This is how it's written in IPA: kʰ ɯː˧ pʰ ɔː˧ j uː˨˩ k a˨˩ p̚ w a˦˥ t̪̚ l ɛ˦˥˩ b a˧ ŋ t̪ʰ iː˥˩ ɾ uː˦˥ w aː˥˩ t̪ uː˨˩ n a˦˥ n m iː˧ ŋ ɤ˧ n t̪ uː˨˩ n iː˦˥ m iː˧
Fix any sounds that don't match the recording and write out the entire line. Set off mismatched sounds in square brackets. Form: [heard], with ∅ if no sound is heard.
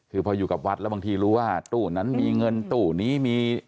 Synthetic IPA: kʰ ɯː˧ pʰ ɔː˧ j uː˨˩ k a˨˩ p̚ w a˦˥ t̪̚ l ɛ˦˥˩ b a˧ ŋ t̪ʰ [iː˧] ɾ uː˦˥ w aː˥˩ t̪ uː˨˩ n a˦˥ n m iː˧ ŋ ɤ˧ n t̪ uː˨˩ n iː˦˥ m iː˧